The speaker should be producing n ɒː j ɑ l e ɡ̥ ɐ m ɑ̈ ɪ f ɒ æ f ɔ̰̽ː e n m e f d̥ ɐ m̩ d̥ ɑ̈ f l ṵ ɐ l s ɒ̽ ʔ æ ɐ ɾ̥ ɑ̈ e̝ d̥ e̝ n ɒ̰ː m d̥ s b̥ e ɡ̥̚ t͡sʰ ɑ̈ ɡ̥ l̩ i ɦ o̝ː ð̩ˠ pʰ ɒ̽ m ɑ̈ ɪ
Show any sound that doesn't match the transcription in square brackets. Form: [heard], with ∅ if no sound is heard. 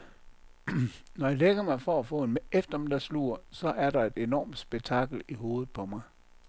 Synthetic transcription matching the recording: n [ɒ] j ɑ l e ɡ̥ ɐ m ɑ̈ ɪ f ɒ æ f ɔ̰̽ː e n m e f d̥ ɐ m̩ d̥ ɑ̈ [s] l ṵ ɐ [∅] s ɒ̽ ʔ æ ɐ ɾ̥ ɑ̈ e̝ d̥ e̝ n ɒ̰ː m d̥ s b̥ e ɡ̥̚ t͡sʰ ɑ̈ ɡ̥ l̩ i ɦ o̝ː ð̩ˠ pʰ ɒ̽ m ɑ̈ ɪ